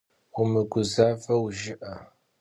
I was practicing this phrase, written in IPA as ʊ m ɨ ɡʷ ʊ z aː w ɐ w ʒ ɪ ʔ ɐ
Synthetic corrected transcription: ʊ m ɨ ɡʷ ʊ z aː v ɐ w ʒ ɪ ʔ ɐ